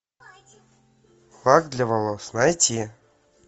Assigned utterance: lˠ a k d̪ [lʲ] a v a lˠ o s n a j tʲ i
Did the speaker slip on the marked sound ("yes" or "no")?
no